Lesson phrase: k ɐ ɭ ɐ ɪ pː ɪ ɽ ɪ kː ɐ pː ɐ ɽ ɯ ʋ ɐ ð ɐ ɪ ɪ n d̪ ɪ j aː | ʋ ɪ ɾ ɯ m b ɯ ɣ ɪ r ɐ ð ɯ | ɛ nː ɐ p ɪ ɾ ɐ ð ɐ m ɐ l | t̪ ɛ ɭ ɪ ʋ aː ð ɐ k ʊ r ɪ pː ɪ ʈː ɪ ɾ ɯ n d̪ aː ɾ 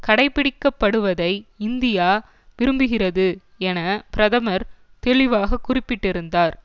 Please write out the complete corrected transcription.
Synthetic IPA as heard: k ɐ ɽ ɐ ɪ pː ɪ ɽ ɪ kː ɐ pː ɐ ɽ ɯ ʋ ɐ ð ɐ ɪ ɪ n d̪ ɪ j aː | ʋ ɪ ɾ ɯ m b ɯ ɣ ɪ r ɐ ð ɯ | ɛ n ɐ p ɪ ɾ ɐ ð ɐ m ɐ ɾ | t̪ ɛ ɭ ɪ ʋ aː ɣ ɐ k ʊ r ɪ pː ɪ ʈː ɪ ɾ ɯ n d̪ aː ɾ